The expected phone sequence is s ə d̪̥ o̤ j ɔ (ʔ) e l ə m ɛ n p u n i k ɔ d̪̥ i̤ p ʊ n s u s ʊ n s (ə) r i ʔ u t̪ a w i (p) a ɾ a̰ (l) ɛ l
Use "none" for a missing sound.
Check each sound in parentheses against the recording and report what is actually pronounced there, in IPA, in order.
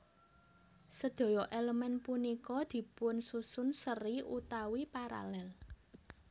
ʔ, ə, p, l

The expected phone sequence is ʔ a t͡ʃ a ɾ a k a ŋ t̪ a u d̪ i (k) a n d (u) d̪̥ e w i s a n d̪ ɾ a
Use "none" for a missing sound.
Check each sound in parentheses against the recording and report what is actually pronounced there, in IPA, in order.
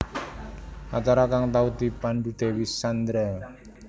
p, u

